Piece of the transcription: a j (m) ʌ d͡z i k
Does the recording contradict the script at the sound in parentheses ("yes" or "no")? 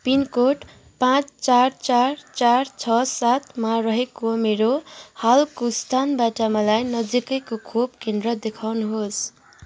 yes